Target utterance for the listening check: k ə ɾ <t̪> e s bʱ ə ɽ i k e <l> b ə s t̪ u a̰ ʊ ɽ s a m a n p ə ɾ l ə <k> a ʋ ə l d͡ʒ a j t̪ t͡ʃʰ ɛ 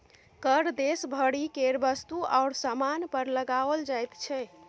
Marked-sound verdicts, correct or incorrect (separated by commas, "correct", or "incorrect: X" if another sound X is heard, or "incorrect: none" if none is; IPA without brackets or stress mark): incorrect: d̪, incorrect: ɾ, incorrect: ɡ